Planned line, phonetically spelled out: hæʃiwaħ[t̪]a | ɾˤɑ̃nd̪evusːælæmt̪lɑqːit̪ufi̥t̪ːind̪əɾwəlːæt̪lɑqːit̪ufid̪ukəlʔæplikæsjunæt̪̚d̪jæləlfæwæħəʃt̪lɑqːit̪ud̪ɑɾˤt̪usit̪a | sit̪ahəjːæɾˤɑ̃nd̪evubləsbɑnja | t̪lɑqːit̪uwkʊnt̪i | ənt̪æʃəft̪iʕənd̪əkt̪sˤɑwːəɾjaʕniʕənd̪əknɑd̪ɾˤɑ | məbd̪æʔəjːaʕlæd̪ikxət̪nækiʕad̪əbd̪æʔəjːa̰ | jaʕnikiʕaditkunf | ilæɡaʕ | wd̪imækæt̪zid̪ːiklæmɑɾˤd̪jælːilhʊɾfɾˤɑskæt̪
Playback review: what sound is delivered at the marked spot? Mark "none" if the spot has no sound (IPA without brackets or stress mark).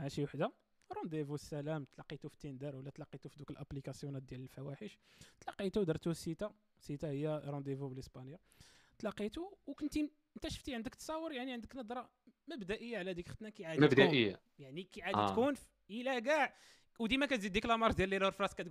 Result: d̪